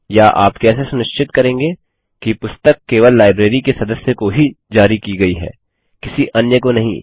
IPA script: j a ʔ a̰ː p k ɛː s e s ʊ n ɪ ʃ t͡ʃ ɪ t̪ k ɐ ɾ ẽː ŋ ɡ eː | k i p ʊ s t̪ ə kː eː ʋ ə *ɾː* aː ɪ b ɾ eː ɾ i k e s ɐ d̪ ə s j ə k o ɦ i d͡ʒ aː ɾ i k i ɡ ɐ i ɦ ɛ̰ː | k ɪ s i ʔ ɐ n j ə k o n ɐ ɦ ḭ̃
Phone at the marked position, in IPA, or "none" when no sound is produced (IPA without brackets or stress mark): lː